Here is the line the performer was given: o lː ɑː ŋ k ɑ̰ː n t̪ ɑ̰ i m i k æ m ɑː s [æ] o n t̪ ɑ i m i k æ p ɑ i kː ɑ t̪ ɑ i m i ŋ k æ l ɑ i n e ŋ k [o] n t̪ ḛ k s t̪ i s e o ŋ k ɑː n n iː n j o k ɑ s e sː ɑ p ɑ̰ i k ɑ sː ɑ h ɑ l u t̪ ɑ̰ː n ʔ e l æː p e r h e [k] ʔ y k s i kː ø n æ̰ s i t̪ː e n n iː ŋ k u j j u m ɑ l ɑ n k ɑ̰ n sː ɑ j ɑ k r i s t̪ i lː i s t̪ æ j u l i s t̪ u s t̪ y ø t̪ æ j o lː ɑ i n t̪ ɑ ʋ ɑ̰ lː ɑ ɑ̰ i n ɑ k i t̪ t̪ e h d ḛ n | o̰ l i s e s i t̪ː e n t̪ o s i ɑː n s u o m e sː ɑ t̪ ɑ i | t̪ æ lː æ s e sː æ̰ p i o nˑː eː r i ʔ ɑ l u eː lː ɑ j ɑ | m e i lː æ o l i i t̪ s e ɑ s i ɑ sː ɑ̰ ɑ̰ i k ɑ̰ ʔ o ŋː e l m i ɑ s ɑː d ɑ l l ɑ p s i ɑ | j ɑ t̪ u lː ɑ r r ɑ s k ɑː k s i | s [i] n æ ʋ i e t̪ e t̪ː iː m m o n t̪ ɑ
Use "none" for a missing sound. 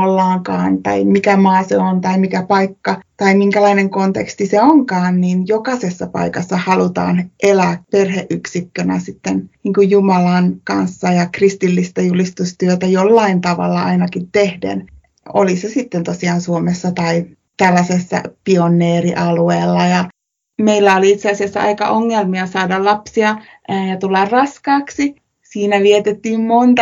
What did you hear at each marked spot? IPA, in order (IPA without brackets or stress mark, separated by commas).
e, o, ʔ, iː